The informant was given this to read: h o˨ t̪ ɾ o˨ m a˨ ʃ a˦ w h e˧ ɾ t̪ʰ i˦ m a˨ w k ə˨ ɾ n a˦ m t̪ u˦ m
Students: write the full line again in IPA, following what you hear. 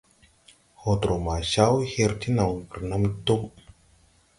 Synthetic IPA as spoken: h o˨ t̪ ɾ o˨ m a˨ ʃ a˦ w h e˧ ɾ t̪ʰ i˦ n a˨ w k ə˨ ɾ n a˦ m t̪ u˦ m